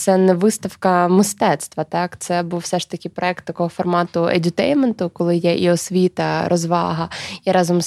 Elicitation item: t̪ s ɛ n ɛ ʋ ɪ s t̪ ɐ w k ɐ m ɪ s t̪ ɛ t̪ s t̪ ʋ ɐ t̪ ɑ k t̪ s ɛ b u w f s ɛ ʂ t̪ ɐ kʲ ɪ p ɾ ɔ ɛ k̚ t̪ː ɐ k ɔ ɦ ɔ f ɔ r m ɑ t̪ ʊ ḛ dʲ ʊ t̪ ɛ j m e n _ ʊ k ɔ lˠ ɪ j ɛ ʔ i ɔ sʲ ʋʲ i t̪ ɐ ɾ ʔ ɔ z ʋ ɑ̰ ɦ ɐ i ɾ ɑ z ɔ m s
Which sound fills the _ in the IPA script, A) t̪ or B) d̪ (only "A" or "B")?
A